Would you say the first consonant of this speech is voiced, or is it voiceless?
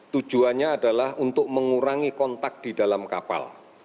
voiceless